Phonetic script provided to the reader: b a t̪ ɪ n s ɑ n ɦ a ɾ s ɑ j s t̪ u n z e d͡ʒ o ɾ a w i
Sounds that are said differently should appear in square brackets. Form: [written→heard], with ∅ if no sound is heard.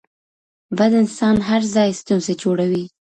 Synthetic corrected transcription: b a [t̪→d̪] ɪ n s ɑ n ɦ a ɾ [s→z] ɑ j s t̪ u n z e d͡ʒ o [ɾ→ɽ] a w i